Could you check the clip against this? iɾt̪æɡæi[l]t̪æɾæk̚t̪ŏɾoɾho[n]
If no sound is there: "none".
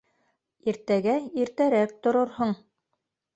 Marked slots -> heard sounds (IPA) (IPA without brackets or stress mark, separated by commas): ɾ, ɴ